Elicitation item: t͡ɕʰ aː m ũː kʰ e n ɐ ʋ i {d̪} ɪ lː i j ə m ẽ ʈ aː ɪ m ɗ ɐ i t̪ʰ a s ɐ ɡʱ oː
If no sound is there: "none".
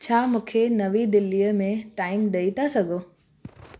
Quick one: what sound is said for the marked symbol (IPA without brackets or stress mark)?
d̪